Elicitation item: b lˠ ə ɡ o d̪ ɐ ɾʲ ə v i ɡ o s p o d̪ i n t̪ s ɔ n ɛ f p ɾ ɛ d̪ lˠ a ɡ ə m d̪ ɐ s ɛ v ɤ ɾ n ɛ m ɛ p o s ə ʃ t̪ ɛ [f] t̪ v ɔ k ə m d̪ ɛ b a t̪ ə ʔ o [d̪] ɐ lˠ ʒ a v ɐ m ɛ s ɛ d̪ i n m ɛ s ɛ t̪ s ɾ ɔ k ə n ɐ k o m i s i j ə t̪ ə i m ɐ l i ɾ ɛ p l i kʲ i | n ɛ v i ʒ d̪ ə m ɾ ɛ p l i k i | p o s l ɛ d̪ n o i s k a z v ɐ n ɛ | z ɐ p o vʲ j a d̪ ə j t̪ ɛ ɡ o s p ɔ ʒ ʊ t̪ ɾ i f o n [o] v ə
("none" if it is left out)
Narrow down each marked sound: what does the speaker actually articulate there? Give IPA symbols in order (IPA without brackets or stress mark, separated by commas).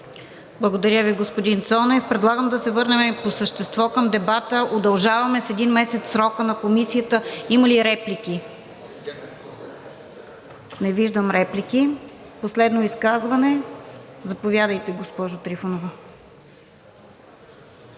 s, d̪, o